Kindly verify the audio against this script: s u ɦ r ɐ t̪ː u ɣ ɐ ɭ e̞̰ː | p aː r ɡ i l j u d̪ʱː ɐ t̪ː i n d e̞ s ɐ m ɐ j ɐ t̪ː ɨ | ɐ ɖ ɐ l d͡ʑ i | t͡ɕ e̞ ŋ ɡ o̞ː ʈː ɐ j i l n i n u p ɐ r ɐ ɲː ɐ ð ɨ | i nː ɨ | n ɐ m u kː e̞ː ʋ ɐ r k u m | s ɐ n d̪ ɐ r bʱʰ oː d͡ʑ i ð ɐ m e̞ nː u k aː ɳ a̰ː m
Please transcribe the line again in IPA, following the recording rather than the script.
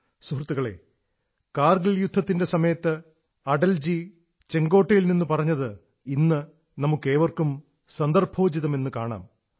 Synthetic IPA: s u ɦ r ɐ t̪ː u ɣ ɐ ɭ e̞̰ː | k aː r ɡ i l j u d̪ʱː ɐ t̪ː i n d e̞ s ɐ m ɐ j ɐ t̪ː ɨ | ɐ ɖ ɐ l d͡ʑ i | t͡ɕ e̞ ŋ ɡ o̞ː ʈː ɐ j i l n i nː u p ɐ r ɐ ɲː ɐ ð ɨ | i nː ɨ | n ɐ m u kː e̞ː ʋ ɐ r k u m | s ɐ n d̪ ɐ r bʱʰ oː d͡ʑ i ð ɐ m e̞ nː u k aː ɳ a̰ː m

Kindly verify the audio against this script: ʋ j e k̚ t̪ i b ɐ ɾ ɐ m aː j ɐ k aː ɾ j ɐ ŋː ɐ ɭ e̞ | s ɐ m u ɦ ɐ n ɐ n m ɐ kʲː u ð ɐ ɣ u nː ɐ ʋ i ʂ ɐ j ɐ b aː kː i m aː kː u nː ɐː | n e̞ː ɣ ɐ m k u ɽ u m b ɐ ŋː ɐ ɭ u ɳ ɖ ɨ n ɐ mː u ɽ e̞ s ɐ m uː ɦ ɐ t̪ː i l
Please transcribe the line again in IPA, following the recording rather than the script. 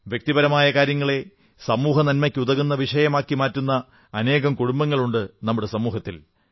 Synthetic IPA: ʋ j e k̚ t̪ i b ɐ ɾ ɐ m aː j ɐ k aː ɾ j ɐ ŋː ɐ ɭ e̞ | s ɐ m uː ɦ ɐ n ɐ n m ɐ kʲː u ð ɐ ɣ u nː ɐ ʋ i ʂ ɐ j ɐ m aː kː i m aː tː u nː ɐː | n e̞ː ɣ ɐ m k u ɽ u m b ɐ ŋː ɐ ɭ u ɳ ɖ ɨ n ɐ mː u ɽ e̞ s ɐ m uː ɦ ɐ t̪ː i l

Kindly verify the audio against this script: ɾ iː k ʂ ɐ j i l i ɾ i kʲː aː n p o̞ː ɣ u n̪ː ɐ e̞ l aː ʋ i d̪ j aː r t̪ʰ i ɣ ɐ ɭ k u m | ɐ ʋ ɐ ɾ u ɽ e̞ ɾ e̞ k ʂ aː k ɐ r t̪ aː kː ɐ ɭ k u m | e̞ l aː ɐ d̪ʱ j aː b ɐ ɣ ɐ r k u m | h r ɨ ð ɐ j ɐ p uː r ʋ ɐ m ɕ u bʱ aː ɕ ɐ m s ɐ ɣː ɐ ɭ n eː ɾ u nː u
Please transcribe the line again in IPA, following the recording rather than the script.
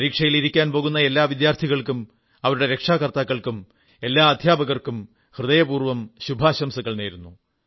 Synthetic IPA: ɾ iː k ʂ ɐ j i l i ɾ i kʲː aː n p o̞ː ɣ u n̪ː ɐ e̞ lː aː ʋ i d̪ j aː r t̪ʰ i ɣ ɐ ɭ k u m | ɐ ʋ ɐ ɾ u ɽ e̞ ɾ e̞ k ʂ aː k ɐ r t̪ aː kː ɐ ɭ k u m | e̞ lː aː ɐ d̪ʱ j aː b ɐ ɣ ɐ r k u m | h r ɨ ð ɐ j ɐ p uː r ʋ ɐ m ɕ u bʱ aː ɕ ɐ m s ɐ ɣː ɐ ɭ n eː ɾ u nː u

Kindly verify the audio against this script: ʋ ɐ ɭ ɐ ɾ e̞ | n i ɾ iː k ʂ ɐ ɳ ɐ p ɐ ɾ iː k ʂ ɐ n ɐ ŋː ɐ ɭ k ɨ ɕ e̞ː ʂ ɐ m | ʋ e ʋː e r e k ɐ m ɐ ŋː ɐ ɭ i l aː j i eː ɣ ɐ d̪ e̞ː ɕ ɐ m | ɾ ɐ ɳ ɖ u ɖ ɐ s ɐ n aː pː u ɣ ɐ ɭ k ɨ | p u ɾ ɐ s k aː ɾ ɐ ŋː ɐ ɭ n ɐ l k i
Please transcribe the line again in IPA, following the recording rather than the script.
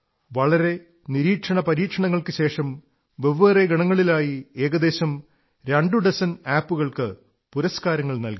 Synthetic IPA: ʋ ɐ ɭ ɐ ɾ e̞ | n i ɾ iː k ʂ ɐ ɳ ɐ p ɐ ɾ iː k ʂ ɐ ɳ ɐ ŋː ɐ ɭ k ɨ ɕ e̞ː ʂ ɐ m | ʋ e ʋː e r e ɡ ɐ ɳ ɐ ŋː ɐ ɭ i l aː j i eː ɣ ɐ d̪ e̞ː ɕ ɐ m | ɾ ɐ ɳ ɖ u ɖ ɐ s ɐ n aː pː u ɣ ɐ ɭ k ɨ | p u ɾ ɐ s k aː ɾ ɐ ŋː ɐ ɭ n ɐ l k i

